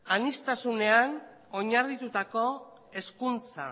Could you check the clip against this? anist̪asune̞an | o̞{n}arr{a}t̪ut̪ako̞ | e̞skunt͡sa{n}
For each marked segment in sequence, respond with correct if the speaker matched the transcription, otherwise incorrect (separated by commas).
incorrect, incorrect, incorrect